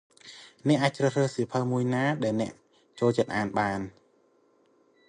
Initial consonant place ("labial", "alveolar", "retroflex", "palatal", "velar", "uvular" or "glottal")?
alveolar